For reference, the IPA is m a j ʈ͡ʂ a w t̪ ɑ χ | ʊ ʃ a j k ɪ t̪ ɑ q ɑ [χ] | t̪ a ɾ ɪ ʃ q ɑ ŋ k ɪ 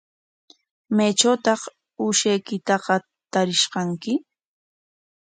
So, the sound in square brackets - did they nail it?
no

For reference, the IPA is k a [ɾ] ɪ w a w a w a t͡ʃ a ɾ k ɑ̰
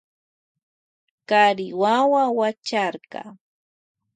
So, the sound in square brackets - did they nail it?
yes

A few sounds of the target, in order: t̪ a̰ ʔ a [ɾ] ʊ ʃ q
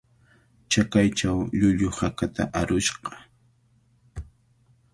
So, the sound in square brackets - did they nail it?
yes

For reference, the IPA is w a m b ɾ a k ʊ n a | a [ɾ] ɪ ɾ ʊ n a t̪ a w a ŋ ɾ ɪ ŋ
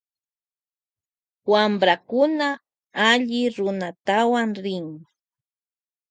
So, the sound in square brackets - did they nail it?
no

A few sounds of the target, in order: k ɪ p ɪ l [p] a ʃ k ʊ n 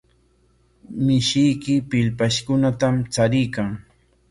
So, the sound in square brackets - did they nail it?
yes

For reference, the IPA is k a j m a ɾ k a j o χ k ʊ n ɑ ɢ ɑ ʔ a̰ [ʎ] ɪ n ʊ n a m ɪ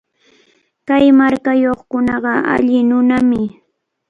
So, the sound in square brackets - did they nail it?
yes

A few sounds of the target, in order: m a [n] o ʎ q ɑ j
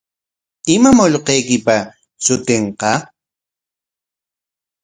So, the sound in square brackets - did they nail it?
no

